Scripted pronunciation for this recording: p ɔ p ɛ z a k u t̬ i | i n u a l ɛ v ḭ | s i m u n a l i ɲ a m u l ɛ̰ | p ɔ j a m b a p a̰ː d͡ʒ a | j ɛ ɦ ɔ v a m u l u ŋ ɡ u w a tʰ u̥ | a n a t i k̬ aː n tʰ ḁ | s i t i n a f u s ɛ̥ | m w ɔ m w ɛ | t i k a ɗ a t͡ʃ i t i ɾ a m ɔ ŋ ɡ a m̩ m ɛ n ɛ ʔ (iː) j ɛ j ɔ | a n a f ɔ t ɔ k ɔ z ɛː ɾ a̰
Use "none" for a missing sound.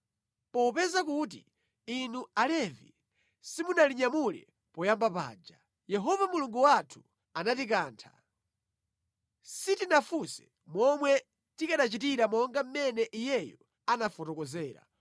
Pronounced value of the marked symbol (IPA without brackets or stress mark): i